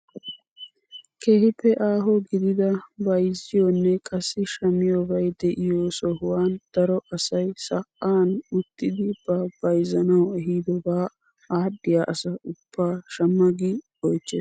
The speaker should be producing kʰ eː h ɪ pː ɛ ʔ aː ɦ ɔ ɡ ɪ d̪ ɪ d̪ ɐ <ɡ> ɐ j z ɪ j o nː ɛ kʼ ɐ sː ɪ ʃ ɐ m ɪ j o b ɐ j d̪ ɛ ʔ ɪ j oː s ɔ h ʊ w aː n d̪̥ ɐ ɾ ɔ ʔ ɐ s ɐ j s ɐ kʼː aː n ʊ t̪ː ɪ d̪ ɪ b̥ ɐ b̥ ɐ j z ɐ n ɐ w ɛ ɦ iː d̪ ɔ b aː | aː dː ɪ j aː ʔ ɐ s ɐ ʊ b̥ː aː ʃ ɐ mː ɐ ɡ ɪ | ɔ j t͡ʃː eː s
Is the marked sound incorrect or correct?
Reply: incorrect